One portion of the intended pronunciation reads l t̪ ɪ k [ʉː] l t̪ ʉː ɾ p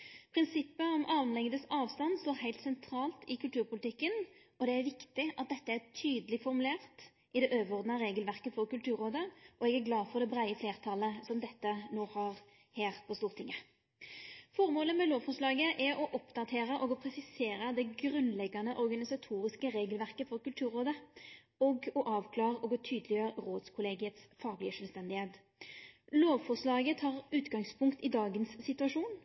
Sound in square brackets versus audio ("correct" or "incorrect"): incorrect